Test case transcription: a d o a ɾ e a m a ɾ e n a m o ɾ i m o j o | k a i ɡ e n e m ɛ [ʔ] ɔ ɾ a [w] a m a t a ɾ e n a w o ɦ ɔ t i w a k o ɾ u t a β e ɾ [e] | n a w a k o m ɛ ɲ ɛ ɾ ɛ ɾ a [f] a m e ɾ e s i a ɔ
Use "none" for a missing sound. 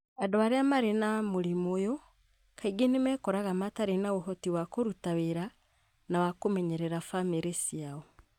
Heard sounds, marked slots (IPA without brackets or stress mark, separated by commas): k, ɣ, a, f